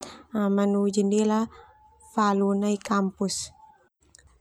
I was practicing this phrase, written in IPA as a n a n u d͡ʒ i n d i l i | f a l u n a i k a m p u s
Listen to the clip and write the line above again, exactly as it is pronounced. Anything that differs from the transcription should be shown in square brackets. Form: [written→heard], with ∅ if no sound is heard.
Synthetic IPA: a [n→m] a n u d͡ʒ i n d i l [i→a] | f a l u n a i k a m p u s